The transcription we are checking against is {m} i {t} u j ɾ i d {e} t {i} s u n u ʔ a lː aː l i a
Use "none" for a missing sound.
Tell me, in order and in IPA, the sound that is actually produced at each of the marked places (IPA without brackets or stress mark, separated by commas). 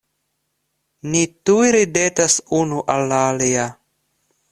n, t, e, a